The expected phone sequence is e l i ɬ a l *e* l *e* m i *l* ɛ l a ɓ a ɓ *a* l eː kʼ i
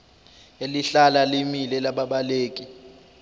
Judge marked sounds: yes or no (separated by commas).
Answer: no, no, yes, yes